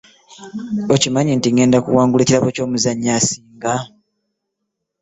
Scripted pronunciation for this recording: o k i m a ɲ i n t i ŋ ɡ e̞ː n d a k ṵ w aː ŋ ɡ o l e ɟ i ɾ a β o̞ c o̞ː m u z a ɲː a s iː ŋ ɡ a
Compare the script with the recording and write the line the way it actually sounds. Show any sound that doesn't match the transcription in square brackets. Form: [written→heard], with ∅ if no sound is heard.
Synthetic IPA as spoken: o [k→c] i m a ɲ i n t i ŋ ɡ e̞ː n d a k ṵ w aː ŋ ɡ [o→u] l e [ɟ→c] i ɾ a β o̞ c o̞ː m u z a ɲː a s iː ŋ ɡ a